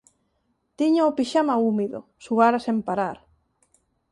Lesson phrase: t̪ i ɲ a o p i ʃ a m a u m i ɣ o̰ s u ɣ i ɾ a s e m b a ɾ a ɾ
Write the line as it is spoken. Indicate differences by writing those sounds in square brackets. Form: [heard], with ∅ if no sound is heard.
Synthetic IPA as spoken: t̪ i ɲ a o p i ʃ a m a u m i [ð] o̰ s u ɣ [a] ɾ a s e m [p] a ɾ a ɾ